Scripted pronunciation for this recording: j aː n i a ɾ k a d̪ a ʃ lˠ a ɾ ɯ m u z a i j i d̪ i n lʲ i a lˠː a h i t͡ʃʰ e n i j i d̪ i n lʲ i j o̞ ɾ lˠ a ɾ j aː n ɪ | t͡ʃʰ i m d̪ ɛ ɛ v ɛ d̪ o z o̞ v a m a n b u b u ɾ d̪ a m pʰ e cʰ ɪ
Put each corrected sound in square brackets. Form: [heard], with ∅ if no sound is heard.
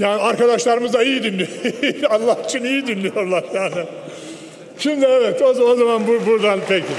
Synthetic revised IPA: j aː n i a ɾ k a d̪ a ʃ lˠ a ɾ ɯ m [ɯ] z a i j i d̪ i n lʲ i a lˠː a h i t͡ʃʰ [i] n i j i d̪ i n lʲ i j o̞ ɾ lˠ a ɾ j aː n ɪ | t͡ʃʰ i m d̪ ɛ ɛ v ɛ [t̪] o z o̞ [z] a m a n b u b u ɾ d̪ a [n] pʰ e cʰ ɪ